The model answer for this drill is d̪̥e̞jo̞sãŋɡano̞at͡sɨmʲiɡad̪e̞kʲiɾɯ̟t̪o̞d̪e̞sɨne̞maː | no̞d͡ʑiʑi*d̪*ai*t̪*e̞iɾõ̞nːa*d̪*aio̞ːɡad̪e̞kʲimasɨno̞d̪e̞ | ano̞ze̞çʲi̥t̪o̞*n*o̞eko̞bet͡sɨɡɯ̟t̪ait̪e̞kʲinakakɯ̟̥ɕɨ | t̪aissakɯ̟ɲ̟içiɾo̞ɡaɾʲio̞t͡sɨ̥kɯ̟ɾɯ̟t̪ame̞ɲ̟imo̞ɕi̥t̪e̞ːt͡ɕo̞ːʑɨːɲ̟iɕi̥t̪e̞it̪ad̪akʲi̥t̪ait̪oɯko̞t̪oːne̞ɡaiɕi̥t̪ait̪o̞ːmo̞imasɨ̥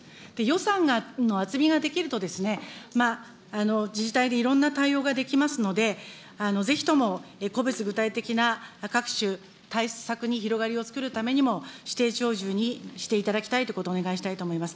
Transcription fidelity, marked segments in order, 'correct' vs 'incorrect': incorrect, incorrect, incorrect, incorrect

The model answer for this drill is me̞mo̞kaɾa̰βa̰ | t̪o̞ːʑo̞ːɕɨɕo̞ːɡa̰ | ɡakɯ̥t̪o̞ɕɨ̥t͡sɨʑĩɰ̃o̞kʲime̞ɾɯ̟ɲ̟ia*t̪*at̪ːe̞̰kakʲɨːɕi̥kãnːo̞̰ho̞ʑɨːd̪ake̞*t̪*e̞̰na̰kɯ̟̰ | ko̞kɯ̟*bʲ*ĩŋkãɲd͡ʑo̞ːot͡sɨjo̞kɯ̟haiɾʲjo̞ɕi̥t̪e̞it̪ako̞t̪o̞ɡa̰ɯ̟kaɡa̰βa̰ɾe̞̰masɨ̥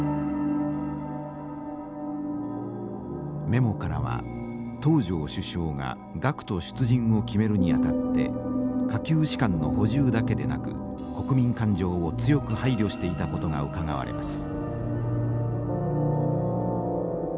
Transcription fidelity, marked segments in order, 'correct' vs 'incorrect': correct, incorrect, incorrect

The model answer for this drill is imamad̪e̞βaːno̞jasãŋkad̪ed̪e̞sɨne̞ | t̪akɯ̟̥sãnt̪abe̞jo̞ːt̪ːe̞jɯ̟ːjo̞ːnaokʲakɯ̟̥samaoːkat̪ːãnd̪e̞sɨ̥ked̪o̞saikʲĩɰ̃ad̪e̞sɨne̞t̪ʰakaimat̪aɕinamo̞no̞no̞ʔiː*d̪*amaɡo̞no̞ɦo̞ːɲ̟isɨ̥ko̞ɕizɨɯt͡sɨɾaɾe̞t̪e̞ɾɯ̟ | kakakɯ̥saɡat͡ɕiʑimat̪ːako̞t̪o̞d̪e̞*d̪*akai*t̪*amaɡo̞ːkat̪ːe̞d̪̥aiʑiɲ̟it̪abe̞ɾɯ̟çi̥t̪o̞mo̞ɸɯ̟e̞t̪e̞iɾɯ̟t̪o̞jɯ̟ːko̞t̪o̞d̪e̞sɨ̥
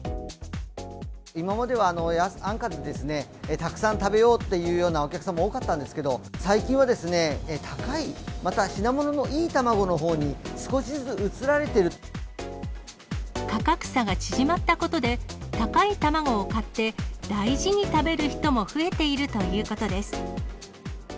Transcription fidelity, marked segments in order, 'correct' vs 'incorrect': incorrect, incorrect, correct

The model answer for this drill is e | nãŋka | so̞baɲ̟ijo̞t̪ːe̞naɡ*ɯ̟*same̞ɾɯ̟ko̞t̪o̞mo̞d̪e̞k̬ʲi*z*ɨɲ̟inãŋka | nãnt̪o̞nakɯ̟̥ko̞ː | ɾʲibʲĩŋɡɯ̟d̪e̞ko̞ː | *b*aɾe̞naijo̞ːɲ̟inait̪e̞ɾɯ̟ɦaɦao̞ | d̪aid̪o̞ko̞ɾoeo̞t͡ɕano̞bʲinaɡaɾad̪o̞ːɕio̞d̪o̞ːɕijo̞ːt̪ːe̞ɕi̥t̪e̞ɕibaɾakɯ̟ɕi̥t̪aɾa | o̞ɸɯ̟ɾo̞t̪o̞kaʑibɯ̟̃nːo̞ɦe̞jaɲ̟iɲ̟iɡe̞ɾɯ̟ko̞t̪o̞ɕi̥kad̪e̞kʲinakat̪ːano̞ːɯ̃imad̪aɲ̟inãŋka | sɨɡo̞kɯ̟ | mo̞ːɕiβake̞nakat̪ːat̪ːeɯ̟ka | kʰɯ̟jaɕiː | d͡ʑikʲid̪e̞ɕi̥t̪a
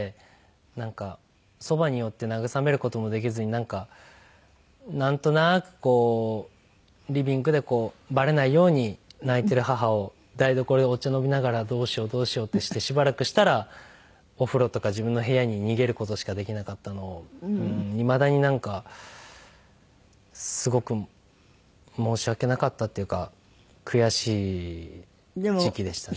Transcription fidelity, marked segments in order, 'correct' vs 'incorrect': correct, correct, correct

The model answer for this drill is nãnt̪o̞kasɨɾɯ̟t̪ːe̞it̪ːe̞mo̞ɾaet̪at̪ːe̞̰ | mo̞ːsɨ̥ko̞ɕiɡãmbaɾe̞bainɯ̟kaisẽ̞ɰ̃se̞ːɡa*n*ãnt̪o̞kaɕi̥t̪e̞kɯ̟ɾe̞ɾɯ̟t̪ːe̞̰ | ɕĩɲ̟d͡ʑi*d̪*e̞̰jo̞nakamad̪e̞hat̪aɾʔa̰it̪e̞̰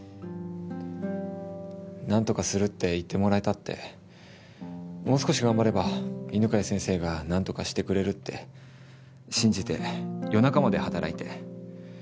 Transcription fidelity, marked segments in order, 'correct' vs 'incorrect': correct, incorrect

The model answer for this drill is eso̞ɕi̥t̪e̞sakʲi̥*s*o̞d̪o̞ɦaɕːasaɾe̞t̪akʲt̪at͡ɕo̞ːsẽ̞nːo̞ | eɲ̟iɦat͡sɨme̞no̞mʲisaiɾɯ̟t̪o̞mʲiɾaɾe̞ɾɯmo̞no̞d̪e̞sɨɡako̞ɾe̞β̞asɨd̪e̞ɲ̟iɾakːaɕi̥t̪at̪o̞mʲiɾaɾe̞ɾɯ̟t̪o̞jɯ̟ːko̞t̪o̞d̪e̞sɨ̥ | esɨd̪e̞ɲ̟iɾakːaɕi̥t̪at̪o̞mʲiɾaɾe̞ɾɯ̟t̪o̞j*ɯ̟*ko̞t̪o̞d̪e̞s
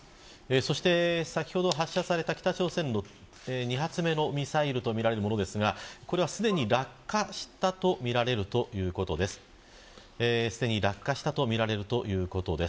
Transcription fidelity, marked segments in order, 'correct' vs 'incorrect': incorrect, incorrect

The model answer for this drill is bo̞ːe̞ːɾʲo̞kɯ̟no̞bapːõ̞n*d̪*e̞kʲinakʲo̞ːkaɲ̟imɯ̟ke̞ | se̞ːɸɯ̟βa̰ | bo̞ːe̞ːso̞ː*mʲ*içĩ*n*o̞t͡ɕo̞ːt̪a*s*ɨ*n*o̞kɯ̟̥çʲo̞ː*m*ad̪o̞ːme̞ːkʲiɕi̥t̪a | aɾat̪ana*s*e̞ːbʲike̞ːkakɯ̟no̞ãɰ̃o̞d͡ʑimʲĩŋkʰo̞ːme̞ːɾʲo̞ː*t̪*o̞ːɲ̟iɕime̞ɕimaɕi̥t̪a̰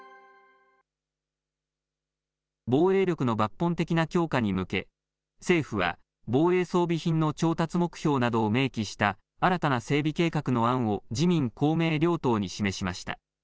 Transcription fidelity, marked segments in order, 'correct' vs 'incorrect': incorrect, incorrect, incorrect, incorrect, incorrect, incorrect, correct, correct

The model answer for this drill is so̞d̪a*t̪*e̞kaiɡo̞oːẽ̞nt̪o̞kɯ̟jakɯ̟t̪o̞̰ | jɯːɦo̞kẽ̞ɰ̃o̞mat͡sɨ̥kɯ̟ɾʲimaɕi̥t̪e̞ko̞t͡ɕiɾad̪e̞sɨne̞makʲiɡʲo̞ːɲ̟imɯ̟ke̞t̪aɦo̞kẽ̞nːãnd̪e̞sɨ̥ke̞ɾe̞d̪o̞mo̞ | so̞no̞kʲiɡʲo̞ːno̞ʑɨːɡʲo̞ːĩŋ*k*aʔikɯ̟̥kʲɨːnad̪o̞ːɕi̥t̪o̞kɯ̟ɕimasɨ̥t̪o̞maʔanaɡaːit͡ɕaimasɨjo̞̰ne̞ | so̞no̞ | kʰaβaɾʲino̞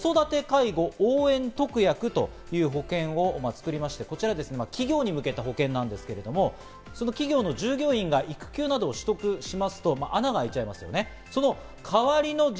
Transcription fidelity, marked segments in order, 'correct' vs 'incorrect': correct, incorrect

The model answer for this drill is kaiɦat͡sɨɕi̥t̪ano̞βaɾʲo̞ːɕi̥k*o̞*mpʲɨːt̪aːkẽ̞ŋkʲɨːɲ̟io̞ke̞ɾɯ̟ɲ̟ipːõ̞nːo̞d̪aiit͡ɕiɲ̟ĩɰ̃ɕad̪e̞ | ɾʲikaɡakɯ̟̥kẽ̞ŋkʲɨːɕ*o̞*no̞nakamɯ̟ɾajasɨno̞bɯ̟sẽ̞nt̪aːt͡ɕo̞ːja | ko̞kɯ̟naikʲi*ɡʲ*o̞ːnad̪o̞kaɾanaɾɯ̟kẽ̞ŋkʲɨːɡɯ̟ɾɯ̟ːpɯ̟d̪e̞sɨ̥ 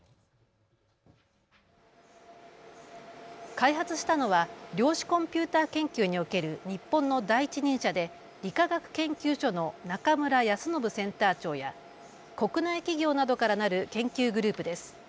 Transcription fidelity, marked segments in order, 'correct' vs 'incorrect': incorrect, correct, correct

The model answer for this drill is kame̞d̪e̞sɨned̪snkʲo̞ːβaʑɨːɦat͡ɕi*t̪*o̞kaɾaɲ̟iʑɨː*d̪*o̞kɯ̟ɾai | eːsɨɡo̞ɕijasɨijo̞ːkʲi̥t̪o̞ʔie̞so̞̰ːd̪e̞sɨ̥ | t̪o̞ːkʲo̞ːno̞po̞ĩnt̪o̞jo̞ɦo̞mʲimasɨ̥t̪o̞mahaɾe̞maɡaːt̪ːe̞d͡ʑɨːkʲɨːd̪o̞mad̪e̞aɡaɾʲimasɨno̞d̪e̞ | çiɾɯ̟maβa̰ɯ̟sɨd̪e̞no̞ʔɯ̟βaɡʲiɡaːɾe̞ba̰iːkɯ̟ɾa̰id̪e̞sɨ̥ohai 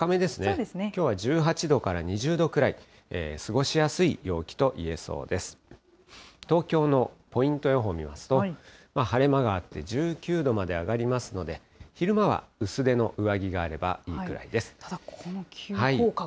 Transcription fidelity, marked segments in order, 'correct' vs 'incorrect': incorrect, correct

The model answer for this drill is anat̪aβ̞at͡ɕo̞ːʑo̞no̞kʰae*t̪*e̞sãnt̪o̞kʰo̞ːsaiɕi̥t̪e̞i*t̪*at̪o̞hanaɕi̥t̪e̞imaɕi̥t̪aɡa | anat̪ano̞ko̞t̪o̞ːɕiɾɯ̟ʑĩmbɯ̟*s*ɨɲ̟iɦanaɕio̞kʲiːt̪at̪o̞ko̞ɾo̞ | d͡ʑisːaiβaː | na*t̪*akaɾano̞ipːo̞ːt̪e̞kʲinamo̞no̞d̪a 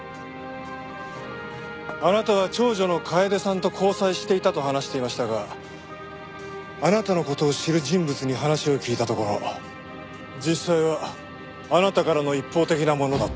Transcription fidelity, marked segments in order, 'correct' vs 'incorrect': incorrect, correct, incorrect, correct

